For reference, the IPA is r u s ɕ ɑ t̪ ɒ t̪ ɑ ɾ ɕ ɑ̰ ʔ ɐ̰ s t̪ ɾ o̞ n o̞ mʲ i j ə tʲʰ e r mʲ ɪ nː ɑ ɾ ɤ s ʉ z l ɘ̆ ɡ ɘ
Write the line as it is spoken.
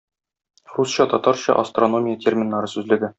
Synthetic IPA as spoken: r u s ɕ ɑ t̪ ɒ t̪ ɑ ɾ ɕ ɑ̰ ʔ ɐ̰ s t̪ r o̞ n o̞ mʲ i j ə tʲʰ e r mʲ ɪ nː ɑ ɾ ɤ s ʉ z l ɘ̆ ɡ ɘ